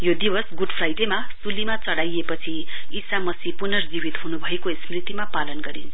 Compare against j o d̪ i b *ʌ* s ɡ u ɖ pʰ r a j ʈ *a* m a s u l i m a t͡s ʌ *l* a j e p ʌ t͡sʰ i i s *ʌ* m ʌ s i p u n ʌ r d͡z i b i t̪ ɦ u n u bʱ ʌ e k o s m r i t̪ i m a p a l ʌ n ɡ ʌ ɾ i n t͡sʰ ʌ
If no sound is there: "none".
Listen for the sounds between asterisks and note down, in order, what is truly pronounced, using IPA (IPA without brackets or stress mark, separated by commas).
ʌ, e, ɽ, a